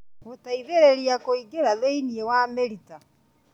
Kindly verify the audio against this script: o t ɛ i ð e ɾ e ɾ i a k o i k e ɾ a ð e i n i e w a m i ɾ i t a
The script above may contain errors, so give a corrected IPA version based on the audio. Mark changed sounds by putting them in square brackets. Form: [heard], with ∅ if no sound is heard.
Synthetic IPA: o t [a] i ð e ɾ e ɾ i a k o i [ɡ] e ɾ a ð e i n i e w a m [e] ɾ i t a

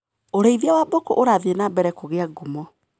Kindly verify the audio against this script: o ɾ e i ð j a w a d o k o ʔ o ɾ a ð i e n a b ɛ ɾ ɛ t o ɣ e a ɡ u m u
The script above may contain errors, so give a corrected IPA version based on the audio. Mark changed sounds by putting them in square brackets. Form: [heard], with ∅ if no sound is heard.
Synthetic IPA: o ɾ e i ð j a w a [b] o k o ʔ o ɾ a ð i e n a b ɛ ɾ ɛ [k] o ɣ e a ɡ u m [ɔ]

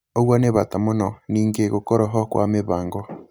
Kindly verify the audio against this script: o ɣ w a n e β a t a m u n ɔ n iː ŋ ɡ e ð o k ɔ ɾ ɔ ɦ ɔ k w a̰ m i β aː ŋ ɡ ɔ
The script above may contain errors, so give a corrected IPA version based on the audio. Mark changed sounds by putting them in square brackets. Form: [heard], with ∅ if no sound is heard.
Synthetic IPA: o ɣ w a n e β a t a m [o] n ɔ n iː ŋ ɡ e [ɣ] o k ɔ ɾ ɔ ɦ ɔ k w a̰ m [e] β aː ŋ ɡ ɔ

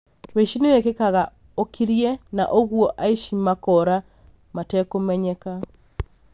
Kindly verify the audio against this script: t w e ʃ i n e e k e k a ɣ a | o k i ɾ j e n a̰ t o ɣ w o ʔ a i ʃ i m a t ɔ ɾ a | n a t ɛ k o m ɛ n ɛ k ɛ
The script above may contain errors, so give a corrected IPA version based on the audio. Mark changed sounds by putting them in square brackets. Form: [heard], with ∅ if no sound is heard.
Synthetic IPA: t w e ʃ i n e e k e k a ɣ a | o k i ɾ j e n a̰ [ʔ] o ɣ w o ʔ a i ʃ i m a [k] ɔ ɾ a | [m] a t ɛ k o m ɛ [ɲ] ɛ k [a]

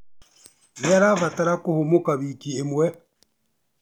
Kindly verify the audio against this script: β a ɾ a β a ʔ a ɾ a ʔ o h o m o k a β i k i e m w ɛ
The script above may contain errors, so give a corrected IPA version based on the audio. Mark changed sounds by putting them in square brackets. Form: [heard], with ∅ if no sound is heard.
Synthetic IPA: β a ɾ a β a [t] a ɾ a [k] o h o m o k a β i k i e m w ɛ

